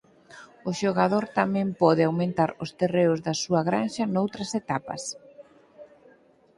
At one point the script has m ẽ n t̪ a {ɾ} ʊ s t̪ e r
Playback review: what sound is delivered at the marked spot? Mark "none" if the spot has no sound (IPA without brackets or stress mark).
ɾ